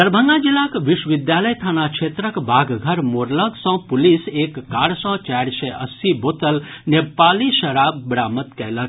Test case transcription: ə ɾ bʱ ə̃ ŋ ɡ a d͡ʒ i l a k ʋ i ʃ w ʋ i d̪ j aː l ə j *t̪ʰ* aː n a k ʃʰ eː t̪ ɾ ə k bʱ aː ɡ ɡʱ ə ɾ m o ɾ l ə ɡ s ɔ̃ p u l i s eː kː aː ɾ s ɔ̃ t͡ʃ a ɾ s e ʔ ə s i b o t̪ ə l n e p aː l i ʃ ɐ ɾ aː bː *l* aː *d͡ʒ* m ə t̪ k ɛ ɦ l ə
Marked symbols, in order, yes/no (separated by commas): yes, no, no